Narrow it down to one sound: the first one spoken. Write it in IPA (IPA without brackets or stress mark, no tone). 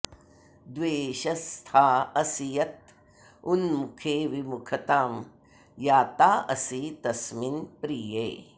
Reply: d̪